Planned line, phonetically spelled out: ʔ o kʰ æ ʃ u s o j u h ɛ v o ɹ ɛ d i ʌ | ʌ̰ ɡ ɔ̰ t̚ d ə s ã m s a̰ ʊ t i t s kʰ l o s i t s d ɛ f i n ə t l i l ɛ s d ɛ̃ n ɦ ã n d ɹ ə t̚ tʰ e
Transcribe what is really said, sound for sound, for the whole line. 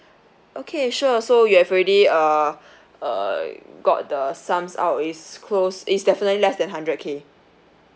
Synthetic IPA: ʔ o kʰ e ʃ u s o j u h ɛ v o ɹ ɛ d i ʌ | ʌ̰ ɡ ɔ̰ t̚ d ə s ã m s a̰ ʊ t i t s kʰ l o s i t s d ɛ f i n ə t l i l ɛ s d ɛ̃ n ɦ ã n d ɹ ə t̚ kʰ e